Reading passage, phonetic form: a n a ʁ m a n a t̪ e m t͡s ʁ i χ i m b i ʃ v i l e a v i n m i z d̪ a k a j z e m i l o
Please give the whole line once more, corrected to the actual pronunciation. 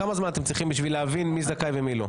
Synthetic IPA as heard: a m a z m a n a t̪ e m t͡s ʁ i χ i m b i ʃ v i l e a v i n m i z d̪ a k a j v e m i l o